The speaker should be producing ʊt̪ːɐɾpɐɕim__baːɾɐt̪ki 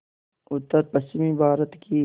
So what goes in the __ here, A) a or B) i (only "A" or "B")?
B